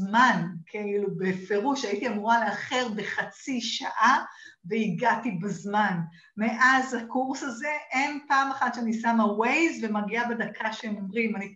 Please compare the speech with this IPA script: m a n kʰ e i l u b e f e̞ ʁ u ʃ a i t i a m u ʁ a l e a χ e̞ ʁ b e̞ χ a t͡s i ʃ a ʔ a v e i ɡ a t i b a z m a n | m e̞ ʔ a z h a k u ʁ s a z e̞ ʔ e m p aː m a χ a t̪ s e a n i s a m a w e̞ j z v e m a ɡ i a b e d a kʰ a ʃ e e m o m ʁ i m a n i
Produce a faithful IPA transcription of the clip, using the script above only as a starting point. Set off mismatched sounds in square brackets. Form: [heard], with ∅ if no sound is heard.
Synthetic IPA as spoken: m a n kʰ e i l u b e f e̞ ʁ u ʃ a i t i a m u ʁ a l e a χ e̞ ʁ b e̞ χ a t͡s i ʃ a ʔ a v e i ɡ a t i b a z m a n | m e̞ ʔ a z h a k u ʁ s a z e̞ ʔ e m p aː m a χ a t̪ [ʃ] e a n i s a m a w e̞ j z v e m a ɡ i a b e d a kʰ a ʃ e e m o m ʁ i m a n i